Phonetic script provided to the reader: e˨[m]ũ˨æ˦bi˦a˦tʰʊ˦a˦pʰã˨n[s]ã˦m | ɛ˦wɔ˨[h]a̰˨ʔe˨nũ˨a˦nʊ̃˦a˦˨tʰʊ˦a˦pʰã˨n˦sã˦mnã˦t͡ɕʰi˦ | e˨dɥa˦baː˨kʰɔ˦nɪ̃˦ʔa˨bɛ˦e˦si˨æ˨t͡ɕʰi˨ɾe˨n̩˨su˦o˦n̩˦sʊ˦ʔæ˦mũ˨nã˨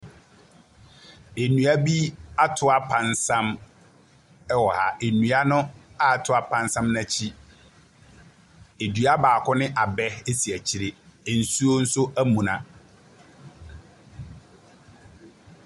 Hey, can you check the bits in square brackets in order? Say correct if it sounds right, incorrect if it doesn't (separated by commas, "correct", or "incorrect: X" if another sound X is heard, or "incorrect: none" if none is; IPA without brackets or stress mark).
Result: incorrect: n, correct, correct